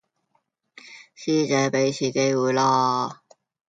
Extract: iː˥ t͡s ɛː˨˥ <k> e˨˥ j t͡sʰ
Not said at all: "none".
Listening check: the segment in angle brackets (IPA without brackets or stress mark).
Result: p